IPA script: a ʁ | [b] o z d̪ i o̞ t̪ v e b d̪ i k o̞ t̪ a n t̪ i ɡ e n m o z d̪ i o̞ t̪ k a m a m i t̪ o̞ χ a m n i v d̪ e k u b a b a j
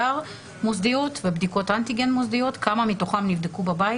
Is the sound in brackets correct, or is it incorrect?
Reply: incorrect